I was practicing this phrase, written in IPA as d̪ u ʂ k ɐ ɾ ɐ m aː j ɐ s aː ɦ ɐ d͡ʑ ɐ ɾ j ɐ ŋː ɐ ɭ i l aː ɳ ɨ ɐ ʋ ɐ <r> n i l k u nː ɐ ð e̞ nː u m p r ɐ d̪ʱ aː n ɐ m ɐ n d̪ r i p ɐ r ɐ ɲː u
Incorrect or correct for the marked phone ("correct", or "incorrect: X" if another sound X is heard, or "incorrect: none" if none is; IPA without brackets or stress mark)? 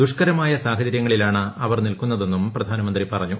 correct